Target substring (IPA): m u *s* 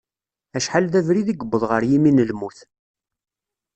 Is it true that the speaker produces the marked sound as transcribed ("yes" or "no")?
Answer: no